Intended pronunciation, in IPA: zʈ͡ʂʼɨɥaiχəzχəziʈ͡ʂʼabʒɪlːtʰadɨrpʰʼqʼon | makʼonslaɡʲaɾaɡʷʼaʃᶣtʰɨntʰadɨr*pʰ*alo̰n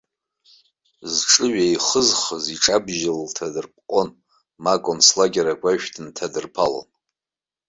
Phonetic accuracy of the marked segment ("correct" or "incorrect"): correct